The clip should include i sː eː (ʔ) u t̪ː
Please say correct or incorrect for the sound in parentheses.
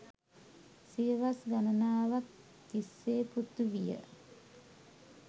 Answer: incorrect